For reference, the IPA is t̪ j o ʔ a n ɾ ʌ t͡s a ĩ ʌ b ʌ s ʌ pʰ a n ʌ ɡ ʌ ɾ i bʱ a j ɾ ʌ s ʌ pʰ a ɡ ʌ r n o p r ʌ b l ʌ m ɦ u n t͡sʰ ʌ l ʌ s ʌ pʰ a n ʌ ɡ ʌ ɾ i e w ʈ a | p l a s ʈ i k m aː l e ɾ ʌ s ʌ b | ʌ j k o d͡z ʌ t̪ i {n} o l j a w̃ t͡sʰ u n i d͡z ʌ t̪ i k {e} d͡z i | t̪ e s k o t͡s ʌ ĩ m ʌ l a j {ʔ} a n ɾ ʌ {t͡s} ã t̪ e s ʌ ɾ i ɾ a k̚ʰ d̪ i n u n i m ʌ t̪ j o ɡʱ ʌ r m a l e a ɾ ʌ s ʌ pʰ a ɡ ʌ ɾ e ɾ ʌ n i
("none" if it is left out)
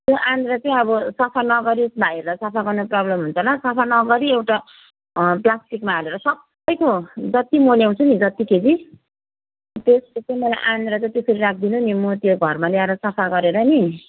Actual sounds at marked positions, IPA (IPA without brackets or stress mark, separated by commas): m, e, ʔ, t͡s